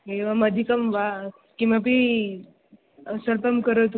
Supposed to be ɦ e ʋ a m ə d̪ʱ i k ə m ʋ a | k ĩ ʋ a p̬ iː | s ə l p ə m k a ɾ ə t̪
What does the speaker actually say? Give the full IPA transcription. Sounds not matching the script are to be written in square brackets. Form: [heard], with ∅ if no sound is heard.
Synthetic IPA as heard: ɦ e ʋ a m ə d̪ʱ i k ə m ʋ a | k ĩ ʋ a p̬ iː | s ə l p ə m k [ə] ɾ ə t̪